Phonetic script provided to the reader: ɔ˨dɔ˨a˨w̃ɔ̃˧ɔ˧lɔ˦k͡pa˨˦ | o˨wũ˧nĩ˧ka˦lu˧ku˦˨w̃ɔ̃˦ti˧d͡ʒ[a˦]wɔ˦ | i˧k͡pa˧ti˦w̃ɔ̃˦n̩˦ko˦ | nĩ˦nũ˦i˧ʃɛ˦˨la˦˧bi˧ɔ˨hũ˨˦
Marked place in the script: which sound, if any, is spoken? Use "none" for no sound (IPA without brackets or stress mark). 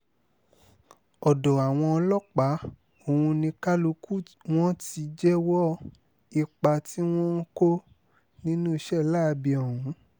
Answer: ɛ˦